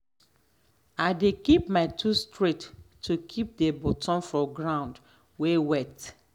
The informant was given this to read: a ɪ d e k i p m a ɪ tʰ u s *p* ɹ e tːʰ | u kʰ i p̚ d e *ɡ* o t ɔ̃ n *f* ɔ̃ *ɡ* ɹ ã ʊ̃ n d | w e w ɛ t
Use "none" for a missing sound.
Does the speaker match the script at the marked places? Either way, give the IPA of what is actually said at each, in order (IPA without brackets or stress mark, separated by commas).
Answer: t, b, f, ɡ